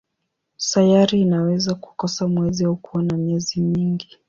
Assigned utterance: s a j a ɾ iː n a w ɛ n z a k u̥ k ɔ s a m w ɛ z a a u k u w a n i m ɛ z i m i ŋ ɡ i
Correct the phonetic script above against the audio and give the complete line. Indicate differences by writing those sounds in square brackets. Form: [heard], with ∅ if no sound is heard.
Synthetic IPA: s a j a ɾ iː n a w ɛ [∅] z a k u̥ k ɔ s a m w ɛ z [i] a u k u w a n [a] m ɛ z i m i ŋ ɡ i